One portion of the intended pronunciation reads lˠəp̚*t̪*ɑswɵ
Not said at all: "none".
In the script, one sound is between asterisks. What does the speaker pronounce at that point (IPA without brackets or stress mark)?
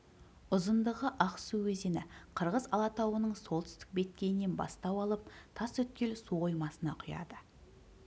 t̪ʰ